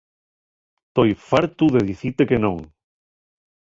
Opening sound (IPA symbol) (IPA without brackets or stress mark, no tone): t̪